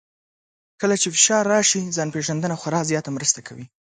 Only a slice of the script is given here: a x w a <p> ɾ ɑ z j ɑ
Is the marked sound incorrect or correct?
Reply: incorrect